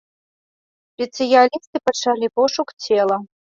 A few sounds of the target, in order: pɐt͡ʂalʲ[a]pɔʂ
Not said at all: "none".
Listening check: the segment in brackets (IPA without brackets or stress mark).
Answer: i